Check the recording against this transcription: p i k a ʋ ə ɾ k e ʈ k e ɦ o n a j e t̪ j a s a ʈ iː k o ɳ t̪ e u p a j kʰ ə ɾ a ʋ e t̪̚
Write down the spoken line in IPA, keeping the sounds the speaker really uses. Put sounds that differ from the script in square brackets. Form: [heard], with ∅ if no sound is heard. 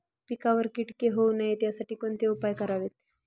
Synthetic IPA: p i k a ʋ ə ɾ k [i] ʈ k e ɦ o n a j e t̪ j a s a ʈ iː k o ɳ t̪ e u p a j [k] ə ɾ a ʋ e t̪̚